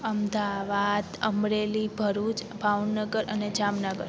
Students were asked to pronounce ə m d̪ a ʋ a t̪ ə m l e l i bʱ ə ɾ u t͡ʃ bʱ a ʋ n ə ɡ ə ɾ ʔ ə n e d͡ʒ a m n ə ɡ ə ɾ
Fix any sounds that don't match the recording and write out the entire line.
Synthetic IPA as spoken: ə m d̪ a ʋ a d̪ ə m ɾ e l i bʱ ə ɾ u t͡ʃ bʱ a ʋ n ə ɡ ə ɾ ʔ ə n e d͡ʒ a m n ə ɡ ə ɾ